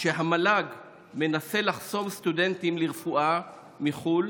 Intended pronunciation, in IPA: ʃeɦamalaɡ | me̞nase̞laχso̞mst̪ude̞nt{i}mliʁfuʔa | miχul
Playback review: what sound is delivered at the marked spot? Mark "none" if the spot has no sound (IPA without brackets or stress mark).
i